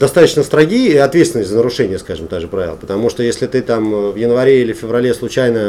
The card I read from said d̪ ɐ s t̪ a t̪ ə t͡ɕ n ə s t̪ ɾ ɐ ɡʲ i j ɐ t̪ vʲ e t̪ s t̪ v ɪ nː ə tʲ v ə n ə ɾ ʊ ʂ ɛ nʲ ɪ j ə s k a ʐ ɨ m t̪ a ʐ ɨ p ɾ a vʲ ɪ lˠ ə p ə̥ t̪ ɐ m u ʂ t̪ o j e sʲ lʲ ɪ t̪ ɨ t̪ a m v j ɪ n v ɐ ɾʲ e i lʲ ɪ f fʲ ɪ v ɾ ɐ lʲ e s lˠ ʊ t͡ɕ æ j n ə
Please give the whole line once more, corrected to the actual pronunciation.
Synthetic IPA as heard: d̪ ɐ s t̪ a t̪ ə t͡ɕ n ə s t̪ ɾ ɐ ɡʲ i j ɐ t̪ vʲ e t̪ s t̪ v ɪ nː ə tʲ z ə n ə ɾ ʊ ʂ ɛ nʲ ɪ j ə s k a ʐ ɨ m t̪ a ʐ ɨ p ɾ a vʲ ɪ lˠ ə p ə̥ t̪ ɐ m u ʂ t̪ o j e sʲ lʲ ɪ t̪ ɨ t̪ a m v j ɪ n v ɐ ɾʲ e i lʲ ɪ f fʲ ɪ v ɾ ɐ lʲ e s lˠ ʊ t͡ɕ æ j n ə